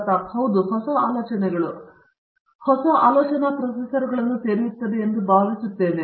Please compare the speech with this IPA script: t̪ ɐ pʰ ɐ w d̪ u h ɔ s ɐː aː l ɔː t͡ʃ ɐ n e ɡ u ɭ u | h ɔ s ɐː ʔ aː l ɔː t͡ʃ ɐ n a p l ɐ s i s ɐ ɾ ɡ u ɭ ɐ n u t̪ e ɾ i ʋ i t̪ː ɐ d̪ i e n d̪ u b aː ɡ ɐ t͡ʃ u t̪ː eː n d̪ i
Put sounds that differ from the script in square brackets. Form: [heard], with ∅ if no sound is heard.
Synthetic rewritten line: t̪ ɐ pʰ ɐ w d̪ u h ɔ s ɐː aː l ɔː t͡ʃ ɐ n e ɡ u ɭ u | h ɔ s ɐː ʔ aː l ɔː t͡ʃ ɐ n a p [ɾ] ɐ s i s ɐ ɾ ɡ u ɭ ɐ n u t̪ e ɾ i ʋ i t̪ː ɐ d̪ i e n d̪ u b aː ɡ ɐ t͡ʃ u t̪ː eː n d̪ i